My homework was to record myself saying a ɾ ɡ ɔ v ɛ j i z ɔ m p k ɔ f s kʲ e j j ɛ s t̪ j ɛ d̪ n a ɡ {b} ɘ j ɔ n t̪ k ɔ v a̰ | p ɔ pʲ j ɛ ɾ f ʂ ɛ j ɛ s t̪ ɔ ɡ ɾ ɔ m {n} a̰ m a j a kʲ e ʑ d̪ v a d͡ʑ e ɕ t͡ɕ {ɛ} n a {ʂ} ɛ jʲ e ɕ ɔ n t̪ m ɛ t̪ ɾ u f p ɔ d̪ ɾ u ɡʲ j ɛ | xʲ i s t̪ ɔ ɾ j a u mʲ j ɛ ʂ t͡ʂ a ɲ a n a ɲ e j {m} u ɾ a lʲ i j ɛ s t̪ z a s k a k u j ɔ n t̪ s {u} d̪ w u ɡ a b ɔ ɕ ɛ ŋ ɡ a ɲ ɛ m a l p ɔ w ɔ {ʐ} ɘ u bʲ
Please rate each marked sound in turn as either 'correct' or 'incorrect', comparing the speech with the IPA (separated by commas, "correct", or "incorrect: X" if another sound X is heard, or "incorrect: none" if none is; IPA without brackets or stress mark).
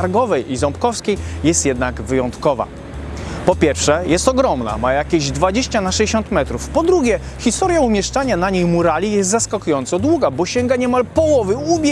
incorrect: v, correct, incorrect: a, correct, correct, incorrect: ɔ, incorrect: v